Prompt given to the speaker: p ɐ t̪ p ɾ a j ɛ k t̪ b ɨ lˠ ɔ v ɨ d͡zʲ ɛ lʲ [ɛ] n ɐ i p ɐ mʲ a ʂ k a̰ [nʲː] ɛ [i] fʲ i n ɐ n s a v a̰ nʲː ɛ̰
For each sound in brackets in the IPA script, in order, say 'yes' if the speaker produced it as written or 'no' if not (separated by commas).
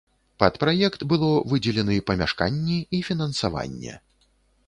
yes, yes, yes